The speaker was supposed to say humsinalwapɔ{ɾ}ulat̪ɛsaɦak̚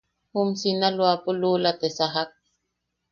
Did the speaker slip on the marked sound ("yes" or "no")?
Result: yes